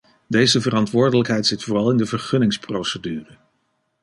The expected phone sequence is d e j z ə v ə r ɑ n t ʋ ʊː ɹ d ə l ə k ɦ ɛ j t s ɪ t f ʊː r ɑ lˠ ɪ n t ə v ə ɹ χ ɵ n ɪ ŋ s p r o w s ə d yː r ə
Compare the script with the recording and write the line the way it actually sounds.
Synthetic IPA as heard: d e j z ə v ə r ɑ n t ʋ ʊː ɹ d ə l ə k ɦ ɛ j t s ɪ t f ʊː r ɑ lˠ ɪ n d ə v ə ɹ χ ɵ n ɪ ŋ s p r o w s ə d yː r ə